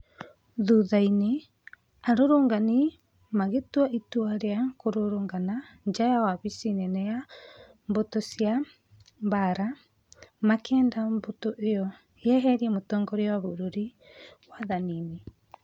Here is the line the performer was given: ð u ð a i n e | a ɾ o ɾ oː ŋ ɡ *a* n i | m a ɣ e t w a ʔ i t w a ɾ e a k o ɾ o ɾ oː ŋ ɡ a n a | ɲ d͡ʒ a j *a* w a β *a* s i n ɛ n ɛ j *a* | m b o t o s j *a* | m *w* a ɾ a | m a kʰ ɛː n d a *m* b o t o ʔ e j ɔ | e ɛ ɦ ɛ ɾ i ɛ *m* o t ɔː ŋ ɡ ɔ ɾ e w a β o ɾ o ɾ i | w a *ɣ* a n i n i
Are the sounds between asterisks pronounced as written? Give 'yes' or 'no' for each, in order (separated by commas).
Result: yes, yes, no, yes, yes, no, yes, yes, no